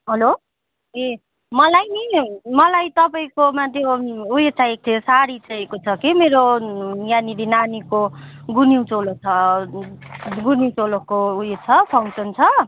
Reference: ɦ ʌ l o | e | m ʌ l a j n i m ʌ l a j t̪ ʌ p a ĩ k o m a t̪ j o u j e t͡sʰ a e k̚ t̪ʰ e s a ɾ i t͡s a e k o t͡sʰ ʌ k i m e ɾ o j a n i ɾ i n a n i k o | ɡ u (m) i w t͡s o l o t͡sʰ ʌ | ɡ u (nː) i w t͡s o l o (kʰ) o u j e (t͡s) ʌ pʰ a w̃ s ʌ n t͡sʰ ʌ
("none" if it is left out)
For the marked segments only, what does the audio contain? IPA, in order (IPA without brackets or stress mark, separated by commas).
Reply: n, n, k, t͡sʰ